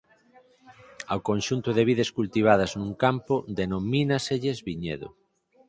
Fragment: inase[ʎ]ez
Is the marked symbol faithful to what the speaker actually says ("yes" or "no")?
yes